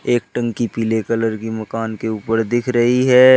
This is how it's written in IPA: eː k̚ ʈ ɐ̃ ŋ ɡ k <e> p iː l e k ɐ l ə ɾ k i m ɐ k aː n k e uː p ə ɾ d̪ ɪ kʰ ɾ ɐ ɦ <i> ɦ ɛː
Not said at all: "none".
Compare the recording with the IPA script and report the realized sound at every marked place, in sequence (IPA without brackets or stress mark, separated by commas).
i, i